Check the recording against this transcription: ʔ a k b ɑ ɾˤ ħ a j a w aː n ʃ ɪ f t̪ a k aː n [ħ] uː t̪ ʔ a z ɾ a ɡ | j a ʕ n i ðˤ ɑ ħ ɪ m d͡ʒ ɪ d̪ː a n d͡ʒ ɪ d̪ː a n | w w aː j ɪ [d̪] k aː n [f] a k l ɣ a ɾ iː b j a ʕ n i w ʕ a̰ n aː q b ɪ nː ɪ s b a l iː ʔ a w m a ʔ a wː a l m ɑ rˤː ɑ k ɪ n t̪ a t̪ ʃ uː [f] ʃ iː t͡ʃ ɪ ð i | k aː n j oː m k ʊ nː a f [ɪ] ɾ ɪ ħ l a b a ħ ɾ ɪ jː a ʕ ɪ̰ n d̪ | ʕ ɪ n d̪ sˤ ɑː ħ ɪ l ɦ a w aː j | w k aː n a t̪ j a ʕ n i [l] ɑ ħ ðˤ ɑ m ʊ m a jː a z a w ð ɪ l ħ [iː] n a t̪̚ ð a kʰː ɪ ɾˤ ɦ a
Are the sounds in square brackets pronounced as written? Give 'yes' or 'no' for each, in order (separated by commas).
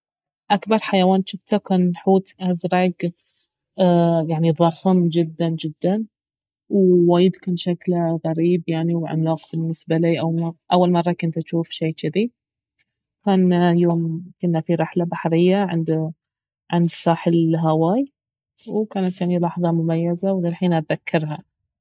yes, yes, no, yes, no, yes, yes